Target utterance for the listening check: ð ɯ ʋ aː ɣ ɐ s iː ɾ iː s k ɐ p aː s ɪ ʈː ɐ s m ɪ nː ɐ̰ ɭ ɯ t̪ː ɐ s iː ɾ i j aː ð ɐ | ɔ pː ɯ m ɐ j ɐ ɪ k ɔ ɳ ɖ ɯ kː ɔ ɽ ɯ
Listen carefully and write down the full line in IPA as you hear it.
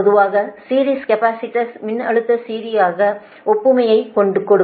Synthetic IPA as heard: ð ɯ ʋ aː ɣ ɐ s iː ɾ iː s k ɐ p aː s ɪ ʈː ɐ s m ɪ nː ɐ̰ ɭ ɯ t̪ː ɐ s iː ɾ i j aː ɣ ɐ | ɔ pː ɯ m ɐ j ɐ ɪ k ɔ ɳ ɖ ɯ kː ɔ ɽ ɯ